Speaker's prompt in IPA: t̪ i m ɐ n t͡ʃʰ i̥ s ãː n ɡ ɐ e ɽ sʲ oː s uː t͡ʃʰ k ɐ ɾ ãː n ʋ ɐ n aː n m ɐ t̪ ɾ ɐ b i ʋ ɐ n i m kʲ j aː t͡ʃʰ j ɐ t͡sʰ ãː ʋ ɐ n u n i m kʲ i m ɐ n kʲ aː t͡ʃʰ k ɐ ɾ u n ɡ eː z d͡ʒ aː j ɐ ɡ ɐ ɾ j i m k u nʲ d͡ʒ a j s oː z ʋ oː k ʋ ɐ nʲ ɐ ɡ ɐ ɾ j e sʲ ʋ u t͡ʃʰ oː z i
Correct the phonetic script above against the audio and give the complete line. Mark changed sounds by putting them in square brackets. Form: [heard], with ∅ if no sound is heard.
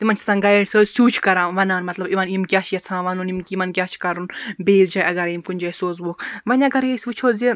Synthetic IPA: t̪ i m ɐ n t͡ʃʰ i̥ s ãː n ɡ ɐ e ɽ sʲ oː s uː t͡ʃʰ k ɐ ɾ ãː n ʋ ɐ n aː n m ɐ t̪ [l] ɐ b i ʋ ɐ n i m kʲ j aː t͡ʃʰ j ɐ t͡sʰ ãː ʋ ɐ n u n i m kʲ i m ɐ n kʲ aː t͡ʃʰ k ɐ ɾ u n [b] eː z d͡ʒ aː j ɐ ɡ ɐ ɾ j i m k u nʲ d͡ʒ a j s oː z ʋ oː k ʋ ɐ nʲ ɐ ɡ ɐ ɾ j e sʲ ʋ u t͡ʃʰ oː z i